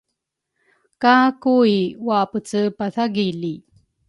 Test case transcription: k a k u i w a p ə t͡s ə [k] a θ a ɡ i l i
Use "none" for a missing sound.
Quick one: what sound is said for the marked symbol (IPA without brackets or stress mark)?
p